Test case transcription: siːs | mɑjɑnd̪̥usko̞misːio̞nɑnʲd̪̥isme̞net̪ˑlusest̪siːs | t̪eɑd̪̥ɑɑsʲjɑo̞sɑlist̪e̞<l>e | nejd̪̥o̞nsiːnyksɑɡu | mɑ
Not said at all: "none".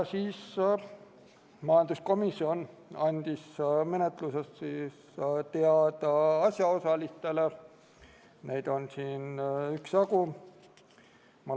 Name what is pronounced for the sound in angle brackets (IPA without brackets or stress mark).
l